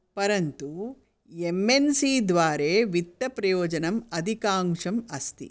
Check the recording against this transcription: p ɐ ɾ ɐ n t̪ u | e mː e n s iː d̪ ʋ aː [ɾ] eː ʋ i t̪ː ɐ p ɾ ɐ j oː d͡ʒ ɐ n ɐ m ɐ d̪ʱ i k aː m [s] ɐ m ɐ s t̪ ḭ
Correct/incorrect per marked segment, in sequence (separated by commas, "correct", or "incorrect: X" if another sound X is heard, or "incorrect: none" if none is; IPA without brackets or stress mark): correct, incorrect: ʂ